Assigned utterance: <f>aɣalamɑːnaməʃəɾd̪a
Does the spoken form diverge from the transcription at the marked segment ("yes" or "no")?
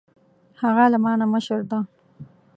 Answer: yes